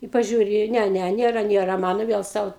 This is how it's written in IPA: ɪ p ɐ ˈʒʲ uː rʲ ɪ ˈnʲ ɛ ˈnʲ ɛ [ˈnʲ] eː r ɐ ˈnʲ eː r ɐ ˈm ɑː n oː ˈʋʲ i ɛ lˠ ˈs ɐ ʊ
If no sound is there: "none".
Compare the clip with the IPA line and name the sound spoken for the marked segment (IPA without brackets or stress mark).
nʲ